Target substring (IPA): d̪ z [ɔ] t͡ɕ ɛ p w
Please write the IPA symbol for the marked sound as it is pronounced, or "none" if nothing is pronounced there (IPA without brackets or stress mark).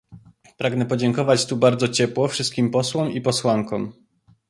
ɔ